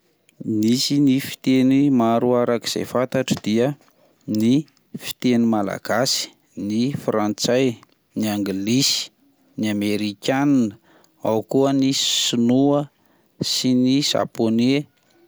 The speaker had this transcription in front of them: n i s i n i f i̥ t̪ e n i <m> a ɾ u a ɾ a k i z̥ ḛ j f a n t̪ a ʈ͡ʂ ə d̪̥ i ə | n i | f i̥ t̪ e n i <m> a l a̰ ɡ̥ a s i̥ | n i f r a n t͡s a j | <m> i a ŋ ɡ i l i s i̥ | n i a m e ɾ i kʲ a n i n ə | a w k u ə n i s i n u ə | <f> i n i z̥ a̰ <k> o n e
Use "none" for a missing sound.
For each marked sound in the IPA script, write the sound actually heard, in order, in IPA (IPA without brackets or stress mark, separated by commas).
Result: m, m, n, s, p